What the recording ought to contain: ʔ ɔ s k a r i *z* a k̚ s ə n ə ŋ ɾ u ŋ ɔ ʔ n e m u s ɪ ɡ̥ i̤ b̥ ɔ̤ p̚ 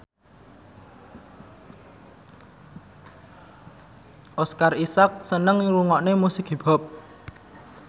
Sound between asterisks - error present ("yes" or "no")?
yes